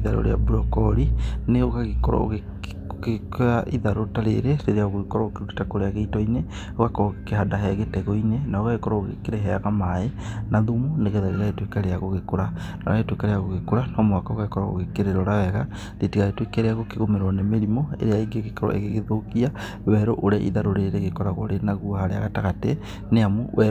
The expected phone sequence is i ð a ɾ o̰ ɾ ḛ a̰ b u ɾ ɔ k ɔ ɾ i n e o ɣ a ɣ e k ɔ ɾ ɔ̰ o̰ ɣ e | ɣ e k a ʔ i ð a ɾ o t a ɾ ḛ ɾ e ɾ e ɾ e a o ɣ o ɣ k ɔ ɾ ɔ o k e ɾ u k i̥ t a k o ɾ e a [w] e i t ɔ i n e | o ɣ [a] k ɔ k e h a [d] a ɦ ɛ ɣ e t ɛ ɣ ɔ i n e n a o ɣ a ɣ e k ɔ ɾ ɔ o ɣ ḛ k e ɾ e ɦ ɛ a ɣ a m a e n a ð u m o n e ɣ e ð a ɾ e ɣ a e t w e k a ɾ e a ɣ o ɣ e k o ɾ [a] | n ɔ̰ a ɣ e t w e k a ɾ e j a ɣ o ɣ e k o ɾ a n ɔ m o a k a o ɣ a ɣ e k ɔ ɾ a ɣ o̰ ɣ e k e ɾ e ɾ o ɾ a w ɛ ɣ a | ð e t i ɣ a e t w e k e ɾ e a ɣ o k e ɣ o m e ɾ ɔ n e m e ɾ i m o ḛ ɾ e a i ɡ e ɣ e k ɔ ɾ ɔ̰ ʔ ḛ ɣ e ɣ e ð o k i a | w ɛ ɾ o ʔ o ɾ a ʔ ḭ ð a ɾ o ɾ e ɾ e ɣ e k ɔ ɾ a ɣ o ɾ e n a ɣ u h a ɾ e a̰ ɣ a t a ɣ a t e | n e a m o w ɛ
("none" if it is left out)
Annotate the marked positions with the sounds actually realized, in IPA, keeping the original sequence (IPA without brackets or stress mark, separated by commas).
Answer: ɣ, a, d, a